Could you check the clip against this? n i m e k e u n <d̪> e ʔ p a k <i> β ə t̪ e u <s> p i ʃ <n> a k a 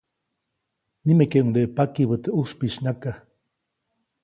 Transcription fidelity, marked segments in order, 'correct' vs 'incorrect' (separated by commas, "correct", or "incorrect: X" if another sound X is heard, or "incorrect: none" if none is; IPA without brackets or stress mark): correct, correct, correct, correct